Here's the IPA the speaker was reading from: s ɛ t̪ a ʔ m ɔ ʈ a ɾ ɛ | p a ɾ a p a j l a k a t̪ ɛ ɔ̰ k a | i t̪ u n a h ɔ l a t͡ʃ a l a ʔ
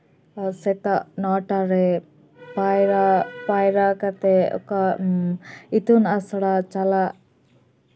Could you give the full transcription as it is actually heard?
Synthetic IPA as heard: s ɛ t̪ a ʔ n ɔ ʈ a ɾ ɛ | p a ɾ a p a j ɾ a k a t̪ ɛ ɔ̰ k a | i t̪ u n a s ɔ ɽ a t͡ʃ a l a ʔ